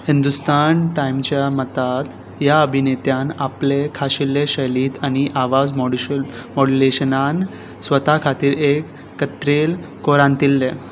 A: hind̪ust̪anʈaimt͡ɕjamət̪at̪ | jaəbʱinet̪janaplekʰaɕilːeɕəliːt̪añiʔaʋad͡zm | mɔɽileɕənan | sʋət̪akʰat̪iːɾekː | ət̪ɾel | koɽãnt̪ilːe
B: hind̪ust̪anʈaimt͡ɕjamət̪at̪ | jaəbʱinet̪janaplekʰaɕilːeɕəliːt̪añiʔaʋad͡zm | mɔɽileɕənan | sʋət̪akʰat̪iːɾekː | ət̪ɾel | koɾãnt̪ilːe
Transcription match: B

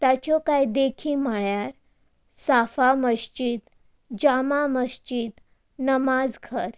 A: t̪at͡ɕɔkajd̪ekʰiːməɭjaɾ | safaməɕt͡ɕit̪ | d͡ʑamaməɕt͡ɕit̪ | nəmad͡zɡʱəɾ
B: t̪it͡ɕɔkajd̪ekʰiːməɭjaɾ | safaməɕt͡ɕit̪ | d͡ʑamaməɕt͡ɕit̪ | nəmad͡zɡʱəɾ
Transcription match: A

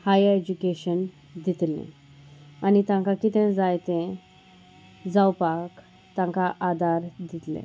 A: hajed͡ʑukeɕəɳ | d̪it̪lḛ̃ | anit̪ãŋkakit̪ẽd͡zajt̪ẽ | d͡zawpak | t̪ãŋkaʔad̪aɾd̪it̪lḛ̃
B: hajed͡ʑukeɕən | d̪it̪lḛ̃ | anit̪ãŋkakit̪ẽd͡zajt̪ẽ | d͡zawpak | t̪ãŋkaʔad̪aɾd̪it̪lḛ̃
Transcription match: B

